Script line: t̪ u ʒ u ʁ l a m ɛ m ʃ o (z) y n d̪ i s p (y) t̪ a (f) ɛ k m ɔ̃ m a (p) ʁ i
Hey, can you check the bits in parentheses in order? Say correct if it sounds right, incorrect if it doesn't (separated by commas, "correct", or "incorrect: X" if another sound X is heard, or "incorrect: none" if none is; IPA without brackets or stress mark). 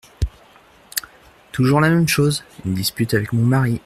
correct, correct, incorrect: v, incorrect: none